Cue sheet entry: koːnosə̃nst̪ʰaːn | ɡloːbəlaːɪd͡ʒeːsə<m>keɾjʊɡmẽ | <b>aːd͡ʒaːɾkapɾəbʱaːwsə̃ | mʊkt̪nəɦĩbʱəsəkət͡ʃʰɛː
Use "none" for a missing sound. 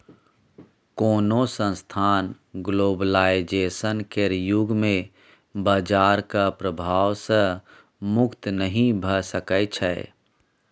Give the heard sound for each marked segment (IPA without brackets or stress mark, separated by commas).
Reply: n, b